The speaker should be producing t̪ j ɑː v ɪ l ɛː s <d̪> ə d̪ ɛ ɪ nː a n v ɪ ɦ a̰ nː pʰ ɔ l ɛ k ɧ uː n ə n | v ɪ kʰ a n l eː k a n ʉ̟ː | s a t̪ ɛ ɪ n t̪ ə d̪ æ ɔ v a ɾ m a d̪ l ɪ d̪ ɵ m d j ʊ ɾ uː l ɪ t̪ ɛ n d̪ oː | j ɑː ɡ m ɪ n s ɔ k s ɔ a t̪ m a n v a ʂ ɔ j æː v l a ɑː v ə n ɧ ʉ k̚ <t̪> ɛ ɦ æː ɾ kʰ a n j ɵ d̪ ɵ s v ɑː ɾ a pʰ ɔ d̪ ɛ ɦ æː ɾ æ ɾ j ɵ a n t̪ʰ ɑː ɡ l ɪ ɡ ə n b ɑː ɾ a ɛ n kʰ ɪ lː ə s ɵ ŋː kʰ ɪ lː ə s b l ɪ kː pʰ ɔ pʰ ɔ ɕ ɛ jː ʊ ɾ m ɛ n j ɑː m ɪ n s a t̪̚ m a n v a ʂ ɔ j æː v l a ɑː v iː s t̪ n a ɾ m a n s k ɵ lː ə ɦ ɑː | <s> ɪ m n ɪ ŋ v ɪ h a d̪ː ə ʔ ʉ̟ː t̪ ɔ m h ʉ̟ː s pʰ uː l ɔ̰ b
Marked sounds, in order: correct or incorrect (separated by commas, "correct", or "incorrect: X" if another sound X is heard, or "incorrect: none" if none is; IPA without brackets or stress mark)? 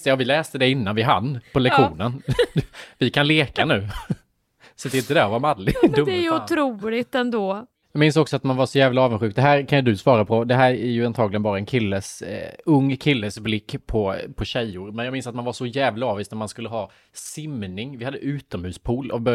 incorrect: t̪, incorrect: d̪, correct